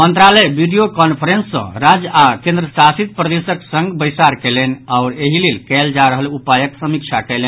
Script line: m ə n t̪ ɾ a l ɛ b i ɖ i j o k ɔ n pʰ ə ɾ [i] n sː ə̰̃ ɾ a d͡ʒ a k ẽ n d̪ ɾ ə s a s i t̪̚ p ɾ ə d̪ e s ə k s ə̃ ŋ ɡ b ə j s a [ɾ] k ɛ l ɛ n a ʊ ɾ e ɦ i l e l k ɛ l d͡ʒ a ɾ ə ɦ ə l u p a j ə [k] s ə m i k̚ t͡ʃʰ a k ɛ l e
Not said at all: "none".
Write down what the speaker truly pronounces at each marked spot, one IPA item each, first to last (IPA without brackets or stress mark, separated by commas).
e, ɾ, k